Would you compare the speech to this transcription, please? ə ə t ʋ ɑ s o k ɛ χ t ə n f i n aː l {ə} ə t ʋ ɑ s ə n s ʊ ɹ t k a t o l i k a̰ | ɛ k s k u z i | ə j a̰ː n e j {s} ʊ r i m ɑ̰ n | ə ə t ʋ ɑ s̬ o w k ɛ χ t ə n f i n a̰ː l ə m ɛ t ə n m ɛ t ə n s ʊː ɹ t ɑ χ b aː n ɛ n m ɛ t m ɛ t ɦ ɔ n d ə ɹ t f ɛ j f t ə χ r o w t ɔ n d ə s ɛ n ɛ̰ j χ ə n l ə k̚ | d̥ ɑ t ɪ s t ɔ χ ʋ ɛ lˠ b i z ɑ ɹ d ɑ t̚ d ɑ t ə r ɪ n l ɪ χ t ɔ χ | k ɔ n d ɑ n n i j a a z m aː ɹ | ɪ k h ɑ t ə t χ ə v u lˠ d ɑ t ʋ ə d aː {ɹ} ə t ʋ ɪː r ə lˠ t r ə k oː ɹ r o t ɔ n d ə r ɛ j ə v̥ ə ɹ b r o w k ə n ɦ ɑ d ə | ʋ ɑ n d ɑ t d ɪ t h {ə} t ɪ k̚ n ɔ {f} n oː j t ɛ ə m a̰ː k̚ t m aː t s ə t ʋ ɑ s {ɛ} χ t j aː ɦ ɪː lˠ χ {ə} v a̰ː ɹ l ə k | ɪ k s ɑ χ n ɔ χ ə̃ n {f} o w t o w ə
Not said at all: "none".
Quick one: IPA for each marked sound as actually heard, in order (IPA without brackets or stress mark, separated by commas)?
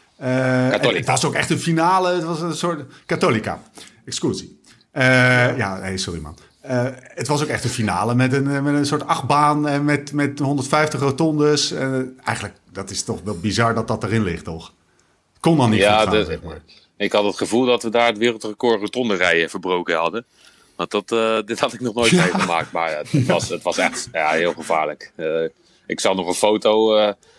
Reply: ə, s, ɹ, ɑ, χ, ɛ, ə, f